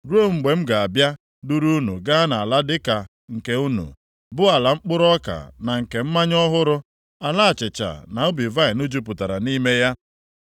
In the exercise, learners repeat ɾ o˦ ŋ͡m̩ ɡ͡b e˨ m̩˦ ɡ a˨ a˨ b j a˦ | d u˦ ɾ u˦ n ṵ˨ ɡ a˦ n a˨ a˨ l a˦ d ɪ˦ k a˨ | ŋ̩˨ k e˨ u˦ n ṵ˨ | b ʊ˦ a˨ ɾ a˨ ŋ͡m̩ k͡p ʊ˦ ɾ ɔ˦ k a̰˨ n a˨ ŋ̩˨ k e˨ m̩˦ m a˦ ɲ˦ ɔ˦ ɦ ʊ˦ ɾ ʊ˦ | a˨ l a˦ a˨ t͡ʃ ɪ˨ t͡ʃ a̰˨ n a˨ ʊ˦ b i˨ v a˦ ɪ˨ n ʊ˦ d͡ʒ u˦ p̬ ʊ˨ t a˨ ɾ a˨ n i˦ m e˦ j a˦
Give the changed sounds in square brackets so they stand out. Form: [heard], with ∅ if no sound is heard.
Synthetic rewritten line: ɾ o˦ ŋ͡m̩ ɡ͡b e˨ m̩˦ ɡ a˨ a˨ b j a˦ | d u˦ ɾ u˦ n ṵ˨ ɡ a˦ n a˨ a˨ l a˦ d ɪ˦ k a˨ | ŋ̩˨ k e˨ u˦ n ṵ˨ | b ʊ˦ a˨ [l] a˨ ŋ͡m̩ k͡p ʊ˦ ɾ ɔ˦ k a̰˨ n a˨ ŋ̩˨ k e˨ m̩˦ m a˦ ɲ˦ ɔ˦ ɦ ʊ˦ ɾ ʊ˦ | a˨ l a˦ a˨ t͡ʃ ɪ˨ t͡ʃ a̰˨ n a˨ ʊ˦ b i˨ v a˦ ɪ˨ n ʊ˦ d͡ʒ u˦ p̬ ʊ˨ t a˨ ɾ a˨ n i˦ m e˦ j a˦

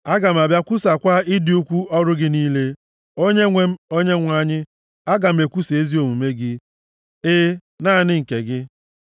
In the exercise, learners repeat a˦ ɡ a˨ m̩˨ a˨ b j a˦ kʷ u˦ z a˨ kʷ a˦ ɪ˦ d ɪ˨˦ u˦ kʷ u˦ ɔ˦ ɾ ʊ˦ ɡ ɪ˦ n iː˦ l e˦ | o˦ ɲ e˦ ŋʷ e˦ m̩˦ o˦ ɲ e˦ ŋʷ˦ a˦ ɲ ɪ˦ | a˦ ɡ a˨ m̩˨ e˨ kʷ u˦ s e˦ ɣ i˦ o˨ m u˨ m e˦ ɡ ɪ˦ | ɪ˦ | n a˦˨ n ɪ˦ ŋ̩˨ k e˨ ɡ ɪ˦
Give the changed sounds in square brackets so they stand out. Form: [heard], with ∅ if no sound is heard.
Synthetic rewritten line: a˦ ɡ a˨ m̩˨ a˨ b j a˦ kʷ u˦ [s] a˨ kʷ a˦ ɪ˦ d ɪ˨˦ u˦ kʷ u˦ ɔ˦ ɾ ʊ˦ ɡ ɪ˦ n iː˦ l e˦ | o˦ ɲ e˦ ŋʷ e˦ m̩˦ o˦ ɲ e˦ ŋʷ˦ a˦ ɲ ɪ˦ | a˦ ɡ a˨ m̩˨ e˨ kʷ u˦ s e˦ [z] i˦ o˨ m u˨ m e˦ ɡ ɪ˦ | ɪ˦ | n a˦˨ n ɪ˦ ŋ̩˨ k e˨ ɡ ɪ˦

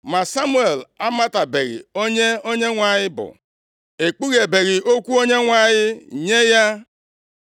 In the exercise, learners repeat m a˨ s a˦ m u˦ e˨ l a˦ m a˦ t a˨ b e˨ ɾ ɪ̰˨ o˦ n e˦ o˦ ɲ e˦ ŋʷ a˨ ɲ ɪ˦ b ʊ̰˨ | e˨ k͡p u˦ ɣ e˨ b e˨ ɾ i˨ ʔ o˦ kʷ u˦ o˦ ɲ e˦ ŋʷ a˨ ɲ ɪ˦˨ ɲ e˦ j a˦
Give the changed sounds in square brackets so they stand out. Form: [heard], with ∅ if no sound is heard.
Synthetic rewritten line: m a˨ s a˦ m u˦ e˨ l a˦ m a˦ t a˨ b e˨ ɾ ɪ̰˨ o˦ [ɲ] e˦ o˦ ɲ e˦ ŋʷ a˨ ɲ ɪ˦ b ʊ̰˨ | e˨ k͡p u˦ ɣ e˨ b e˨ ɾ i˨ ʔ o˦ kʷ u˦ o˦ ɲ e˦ ŋʷ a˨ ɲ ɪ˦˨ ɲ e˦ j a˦

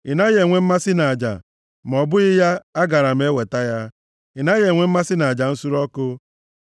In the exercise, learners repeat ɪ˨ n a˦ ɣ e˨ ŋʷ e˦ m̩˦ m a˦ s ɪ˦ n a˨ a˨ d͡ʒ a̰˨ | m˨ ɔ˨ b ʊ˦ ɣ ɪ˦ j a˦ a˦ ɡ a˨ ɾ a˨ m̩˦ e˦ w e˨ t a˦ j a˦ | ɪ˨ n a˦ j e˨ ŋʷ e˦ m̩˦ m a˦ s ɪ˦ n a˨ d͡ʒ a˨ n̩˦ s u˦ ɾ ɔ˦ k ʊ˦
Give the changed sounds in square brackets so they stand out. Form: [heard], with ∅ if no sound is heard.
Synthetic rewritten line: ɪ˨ n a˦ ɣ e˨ ŋʷ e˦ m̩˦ m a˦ s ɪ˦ n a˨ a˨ d͡ʒ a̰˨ | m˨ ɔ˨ b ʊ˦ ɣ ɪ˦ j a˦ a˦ ɡ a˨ ɾ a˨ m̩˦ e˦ w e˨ t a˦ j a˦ | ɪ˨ n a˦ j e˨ ŋʷ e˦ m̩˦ m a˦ s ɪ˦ n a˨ d͡ʒ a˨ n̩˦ s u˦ ɾ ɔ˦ k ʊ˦

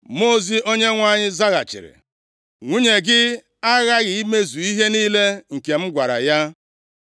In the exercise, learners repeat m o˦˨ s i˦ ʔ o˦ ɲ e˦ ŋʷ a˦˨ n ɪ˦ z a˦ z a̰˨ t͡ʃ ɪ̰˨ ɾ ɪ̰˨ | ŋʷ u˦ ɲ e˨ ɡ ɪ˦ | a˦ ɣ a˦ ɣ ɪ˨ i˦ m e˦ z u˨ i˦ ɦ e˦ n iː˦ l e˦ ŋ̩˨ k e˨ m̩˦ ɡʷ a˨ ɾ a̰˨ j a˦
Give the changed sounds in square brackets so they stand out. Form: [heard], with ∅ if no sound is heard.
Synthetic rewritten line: m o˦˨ [z] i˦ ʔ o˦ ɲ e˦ ŋʷ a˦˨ [ɲ] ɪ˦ z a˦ [ɣ] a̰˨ t͡ʃ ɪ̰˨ ɾ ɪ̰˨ | ŋʷ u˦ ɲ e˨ ɡ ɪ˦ | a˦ ɣ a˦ ɣ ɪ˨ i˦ m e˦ z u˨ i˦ ɦ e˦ n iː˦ l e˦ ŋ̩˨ k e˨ m̩˦ ɡʷ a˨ ɾ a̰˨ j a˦

